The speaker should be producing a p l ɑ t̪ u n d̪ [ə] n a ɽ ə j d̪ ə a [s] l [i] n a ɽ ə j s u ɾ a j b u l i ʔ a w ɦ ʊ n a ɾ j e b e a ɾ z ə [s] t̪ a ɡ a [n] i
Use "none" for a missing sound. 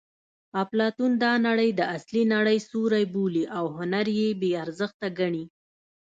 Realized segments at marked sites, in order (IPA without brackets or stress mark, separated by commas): ɑ, s, i, x, ɳ